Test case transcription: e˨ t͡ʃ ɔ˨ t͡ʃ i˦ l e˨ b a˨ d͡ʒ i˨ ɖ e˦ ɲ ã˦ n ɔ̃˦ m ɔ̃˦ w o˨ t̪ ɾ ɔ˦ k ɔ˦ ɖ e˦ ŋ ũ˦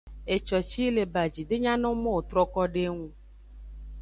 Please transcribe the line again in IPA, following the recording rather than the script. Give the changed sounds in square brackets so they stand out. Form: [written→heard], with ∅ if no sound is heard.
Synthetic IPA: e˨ t͡ʃ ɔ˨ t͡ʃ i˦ l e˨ b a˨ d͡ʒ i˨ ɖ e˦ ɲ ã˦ n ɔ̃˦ m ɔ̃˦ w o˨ t̪ ɾ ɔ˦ k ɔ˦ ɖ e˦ ŋ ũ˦